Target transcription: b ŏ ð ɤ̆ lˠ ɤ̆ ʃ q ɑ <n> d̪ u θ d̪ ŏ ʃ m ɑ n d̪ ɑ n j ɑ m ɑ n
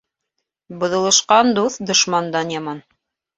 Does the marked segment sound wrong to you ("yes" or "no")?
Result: no